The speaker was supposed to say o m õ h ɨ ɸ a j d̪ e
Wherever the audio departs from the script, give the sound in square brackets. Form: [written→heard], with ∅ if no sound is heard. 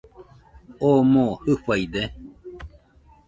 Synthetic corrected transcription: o m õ h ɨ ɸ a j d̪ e